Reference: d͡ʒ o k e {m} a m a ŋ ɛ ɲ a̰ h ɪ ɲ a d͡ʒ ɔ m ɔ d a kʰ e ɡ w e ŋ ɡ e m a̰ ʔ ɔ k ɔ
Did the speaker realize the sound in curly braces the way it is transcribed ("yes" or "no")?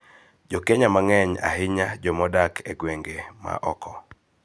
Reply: no